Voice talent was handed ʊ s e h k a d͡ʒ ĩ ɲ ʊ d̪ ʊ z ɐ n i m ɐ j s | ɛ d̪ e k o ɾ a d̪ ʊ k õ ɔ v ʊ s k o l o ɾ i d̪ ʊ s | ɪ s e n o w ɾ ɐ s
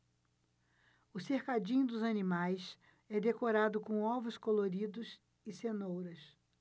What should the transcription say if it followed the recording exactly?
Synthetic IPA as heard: ʊ s e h k a d͡ʒ ĩ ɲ ʊ d̪ ʊ z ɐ n i m a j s | ɛ d̪ e k o ɾ a d̪ ʊ k õ ɔ v ʊ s k o l o ɾ i d̪ ʊ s | ɪ s e n o w ɾ ɐ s